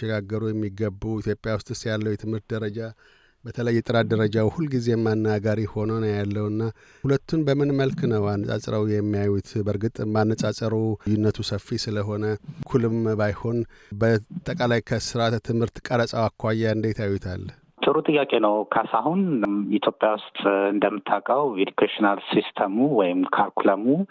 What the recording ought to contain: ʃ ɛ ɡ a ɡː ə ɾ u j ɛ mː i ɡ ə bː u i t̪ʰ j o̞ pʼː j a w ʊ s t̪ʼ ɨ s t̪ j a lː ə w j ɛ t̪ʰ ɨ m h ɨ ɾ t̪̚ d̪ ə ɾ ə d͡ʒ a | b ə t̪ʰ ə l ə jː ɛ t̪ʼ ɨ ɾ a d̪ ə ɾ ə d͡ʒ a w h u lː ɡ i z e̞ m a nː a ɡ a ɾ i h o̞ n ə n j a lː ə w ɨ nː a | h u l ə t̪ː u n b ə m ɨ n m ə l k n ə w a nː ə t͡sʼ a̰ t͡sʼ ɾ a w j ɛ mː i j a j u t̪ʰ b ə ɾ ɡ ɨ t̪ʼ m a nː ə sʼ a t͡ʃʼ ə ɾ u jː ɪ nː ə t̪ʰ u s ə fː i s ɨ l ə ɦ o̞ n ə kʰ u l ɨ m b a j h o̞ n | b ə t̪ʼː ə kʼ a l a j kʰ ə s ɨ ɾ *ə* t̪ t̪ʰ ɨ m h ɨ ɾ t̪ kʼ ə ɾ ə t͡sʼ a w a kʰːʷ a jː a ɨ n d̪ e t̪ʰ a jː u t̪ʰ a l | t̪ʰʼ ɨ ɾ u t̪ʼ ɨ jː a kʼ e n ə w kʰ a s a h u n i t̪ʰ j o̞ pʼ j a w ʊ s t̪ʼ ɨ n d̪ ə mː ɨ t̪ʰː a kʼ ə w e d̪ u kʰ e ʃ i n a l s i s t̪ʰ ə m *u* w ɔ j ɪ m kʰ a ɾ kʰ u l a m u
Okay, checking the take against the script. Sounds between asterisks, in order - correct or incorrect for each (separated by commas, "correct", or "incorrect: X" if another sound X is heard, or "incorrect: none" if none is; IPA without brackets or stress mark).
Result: incorrect: a, correct